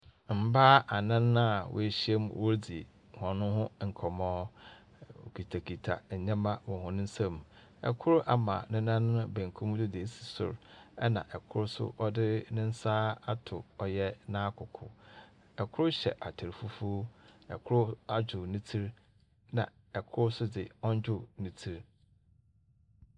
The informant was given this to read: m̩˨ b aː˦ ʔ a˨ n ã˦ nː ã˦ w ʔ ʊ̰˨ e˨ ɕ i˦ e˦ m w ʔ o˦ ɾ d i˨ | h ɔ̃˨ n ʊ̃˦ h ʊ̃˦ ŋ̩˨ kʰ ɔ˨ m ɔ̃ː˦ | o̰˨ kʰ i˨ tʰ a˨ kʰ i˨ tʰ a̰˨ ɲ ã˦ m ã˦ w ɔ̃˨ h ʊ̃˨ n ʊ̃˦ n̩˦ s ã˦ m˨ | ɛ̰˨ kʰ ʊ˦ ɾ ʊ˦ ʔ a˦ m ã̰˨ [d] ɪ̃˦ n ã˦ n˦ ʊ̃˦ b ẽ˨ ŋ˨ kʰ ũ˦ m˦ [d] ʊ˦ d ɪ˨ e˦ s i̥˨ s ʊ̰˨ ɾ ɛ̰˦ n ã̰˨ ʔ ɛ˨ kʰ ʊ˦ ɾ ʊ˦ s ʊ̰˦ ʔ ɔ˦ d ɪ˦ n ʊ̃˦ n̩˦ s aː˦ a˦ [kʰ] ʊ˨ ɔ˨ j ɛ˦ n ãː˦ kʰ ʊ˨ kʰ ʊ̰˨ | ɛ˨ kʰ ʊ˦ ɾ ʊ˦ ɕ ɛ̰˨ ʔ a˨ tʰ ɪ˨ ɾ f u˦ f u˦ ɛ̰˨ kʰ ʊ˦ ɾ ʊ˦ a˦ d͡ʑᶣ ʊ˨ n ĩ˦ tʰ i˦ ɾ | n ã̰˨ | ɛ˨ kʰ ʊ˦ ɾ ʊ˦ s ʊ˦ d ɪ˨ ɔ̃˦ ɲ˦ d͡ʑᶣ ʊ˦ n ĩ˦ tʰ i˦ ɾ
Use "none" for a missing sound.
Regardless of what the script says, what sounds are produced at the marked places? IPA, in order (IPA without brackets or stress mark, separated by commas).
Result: n, d, tʰ